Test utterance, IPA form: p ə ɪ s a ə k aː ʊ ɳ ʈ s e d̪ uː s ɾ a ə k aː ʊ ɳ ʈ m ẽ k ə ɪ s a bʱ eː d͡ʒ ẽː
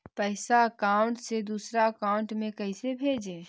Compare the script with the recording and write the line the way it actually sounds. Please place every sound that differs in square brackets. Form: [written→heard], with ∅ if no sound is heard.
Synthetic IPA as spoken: p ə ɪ s a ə k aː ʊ ɳ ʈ s e d̪ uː s ɾ a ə k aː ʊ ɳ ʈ m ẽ k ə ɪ s [a→e] bʱ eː d͡ʒ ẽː